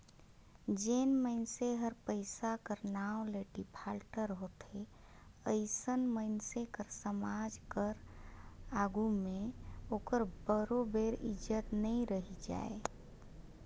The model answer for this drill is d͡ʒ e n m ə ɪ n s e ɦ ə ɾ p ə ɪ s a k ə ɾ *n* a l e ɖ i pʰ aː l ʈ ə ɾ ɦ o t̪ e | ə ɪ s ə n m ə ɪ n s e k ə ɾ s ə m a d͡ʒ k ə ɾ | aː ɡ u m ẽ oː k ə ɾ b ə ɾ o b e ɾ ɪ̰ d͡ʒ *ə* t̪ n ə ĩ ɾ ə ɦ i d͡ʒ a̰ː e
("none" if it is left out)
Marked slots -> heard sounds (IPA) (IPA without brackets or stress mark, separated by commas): n, ə